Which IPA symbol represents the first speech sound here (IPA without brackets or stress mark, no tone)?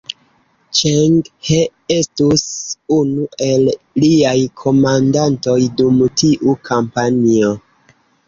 t͡ʃ